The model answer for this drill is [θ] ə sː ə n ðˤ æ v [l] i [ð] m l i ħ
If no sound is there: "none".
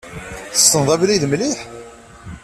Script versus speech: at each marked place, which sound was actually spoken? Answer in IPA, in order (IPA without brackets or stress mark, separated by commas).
θ, l, ð